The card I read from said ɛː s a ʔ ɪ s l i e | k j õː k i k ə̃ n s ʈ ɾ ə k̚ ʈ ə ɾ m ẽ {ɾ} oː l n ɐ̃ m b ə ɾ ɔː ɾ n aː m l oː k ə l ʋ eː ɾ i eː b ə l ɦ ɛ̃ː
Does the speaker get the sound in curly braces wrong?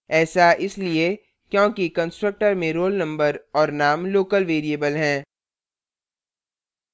no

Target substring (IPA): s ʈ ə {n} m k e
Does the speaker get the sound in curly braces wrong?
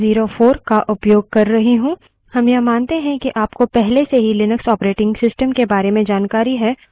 yes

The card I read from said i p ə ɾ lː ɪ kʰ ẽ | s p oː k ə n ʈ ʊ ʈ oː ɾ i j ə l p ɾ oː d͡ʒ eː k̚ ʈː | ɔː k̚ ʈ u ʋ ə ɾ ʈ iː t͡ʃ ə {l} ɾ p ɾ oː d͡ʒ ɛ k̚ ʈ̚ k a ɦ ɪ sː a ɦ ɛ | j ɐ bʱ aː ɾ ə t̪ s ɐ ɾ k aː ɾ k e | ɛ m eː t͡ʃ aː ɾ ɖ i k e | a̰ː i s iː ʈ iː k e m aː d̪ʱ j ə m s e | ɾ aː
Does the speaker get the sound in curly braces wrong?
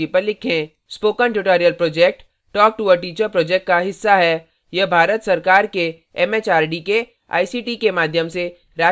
yes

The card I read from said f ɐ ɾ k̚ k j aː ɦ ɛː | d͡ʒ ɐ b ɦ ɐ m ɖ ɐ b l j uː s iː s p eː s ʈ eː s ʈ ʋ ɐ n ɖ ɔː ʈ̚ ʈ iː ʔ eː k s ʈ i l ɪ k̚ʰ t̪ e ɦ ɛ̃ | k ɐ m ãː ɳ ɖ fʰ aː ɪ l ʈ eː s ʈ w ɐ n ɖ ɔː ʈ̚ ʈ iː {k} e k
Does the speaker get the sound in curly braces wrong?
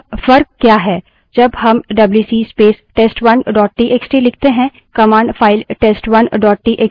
yes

